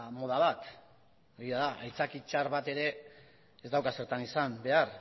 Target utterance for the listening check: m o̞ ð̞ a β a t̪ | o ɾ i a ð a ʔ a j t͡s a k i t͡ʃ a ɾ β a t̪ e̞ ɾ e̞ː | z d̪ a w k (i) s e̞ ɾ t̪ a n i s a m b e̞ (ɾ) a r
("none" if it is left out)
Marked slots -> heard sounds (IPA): a, none

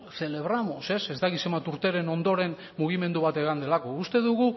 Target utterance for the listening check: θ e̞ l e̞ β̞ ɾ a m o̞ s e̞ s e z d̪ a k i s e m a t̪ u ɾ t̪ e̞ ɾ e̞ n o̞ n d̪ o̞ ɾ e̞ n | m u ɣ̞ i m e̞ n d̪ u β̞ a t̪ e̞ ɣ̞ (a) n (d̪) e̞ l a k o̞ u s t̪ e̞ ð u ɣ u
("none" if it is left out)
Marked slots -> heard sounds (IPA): a, d̪

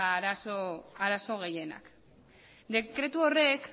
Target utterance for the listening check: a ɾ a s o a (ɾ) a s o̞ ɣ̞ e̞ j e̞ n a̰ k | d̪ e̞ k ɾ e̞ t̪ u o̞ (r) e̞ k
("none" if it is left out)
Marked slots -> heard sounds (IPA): ɾ, r

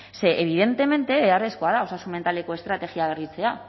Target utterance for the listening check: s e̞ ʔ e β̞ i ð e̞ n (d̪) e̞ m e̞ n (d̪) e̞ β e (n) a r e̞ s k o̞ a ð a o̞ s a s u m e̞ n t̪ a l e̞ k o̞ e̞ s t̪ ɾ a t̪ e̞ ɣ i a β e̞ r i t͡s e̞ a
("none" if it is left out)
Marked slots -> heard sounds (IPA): t̪, t̪, none

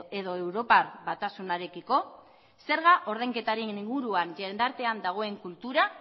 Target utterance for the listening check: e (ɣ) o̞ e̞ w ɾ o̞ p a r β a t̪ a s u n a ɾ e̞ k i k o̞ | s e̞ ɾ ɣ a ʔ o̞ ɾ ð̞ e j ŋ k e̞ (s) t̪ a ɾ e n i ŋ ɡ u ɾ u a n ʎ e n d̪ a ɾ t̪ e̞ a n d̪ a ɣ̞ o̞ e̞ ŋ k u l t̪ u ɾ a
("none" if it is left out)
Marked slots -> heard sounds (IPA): ð, none

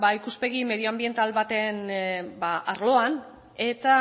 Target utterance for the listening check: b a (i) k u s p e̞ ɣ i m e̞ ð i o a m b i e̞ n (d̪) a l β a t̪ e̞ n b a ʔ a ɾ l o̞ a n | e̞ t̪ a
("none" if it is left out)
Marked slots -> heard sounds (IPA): i, t̪

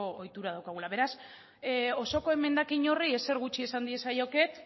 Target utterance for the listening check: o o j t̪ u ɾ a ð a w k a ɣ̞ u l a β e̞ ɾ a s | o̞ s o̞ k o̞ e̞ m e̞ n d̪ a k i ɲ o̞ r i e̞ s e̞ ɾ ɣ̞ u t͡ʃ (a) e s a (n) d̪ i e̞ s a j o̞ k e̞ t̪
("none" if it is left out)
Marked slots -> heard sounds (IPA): i, n

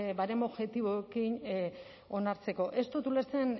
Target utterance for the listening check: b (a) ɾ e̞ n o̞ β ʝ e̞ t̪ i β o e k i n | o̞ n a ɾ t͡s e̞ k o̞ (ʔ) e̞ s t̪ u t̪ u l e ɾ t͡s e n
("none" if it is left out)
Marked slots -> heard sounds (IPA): a, ʔ

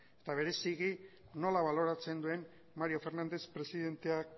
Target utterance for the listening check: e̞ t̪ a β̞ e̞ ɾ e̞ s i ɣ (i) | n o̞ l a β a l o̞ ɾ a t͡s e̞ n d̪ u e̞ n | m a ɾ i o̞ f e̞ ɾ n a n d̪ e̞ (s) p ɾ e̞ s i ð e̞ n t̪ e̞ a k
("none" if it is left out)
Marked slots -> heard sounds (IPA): i, s

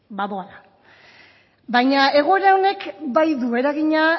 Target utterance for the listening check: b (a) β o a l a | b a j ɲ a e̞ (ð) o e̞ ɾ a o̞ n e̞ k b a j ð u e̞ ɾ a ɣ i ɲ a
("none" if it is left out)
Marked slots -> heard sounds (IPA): a, ɣ

